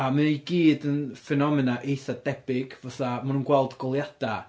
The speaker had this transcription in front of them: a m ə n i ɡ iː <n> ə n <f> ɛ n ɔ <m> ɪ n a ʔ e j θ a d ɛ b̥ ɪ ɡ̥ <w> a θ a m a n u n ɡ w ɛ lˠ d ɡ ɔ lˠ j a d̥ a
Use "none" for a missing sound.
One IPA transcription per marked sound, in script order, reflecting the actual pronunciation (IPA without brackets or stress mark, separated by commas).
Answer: d, f, m, v